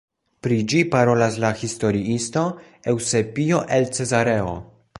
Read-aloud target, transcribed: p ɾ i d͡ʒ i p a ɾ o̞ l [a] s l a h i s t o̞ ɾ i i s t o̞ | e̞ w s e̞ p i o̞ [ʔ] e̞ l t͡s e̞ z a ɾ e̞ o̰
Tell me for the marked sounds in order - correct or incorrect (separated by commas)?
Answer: correct, correct